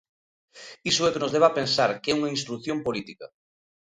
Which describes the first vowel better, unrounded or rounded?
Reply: unrounded